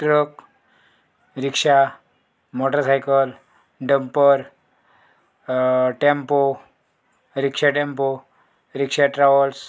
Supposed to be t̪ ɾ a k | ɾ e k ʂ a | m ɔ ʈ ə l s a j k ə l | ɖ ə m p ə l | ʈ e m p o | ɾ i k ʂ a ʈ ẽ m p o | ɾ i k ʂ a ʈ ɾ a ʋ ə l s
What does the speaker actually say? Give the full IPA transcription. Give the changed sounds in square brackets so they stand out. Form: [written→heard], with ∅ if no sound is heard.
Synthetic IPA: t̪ ɾ [a→ə] k | ɾ [e→i] k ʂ a | m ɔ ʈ ə [l→ɾ] s a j k ə l | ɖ ə m p ə [l→ɾ] | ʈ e m p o | ɾ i k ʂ a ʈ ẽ m p o | ɾ i k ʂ a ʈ ɾ a ʋ ə l s